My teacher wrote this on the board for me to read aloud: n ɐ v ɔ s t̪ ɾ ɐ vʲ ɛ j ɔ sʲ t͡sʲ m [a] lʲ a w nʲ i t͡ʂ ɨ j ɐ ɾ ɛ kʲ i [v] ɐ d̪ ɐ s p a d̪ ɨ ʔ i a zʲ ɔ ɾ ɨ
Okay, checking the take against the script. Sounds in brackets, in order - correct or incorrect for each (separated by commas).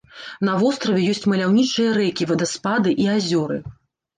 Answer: incorrect, correct